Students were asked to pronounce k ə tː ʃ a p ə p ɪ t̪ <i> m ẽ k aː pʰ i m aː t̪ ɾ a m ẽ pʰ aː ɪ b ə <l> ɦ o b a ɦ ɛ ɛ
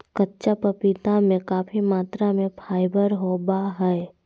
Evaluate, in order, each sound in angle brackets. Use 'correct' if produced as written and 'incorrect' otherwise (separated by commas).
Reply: incorrect, incorrect